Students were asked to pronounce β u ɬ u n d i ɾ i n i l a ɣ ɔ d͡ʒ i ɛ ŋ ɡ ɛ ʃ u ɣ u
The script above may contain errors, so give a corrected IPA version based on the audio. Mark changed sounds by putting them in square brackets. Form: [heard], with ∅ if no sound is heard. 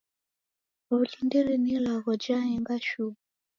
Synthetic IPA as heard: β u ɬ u n d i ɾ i n i l a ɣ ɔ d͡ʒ [a] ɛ ŋ ɡ [a] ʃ u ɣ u